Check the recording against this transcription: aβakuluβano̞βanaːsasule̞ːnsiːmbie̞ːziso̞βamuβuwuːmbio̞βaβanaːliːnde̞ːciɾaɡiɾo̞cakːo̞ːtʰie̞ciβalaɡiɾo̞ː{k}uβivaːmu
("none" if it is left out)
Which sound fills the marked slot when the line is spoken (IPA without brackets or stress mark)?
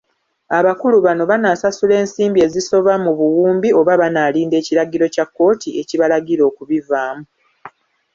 k